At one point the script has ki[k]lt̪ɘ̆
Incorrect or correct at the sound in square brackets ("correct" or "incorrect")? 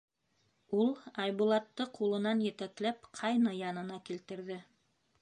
incorrect